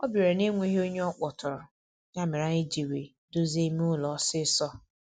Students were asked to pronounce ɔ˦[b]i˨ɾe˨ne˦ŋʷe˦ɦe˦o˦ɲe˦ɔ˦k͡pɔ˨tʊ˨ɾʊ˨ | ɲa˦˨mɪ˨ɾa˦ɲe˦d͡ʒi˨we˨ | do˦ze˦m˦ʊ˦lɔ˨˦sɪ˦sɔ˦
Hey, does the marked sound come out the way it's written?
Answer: yes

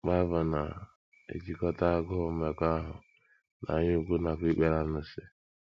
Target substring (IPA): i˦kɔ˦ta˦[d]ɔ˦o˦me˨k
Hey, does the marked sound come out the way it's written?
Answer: no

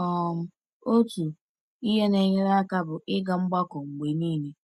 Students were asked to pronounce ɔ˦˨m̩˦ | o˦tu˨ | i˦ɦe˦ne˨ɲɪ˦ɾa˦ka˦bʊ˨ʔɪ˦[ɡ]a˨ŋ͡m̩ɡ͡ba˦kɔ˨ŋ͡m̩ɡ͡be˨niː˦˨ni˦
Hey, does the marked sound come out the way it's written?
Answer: yes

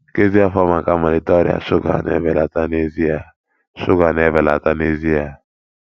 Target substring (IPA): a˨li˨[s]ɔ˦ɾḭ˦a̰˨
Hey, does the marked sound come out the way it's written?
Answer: no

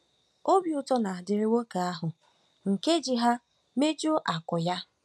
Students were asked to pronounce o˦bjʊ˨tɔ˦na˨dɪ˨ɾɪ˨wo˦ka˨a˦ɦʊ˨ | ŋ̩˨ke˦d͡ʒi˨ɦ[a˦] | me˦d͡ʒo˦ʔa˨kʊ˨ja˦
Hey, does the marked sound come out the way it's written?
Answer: yes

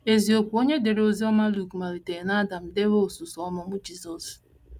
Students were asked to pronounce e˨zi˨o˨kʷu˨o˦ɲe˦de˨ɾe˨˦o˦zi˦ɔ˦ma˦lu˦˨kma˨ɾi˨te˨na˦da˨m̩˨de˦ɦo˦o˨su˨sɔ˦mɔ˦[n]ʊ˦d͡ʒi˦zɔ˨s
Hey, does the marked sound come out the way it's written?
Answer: no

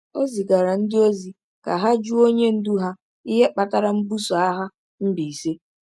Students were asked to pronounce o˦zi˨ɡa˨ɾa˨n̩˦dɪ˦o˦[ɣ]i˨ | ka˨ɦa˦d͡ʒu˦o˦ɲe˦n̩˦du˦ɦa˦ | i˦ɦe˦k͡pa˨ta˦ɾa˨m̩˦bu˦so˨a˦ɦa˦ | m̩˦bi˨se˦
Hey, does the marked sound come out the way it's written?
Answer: no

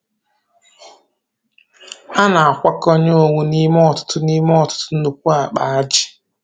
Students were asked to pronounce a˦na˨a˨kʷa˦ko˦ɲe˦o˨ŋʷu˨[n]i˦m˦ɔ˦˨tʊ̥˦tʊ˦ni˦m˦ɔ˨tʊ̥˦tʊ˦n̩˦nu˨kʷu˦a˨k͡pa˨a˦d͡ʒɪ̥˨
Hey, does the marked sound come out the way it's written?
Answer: yes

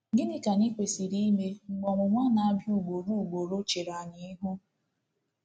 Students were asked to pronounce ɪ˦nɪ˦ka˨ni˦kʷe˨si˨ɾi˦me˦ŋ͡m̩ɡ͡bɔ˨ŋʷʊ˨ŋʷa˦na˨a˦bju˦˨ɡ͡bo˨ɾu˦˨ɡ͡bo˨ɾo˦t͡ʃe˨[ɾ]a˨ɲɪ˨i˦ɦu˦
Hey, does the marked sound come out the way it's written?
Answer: yes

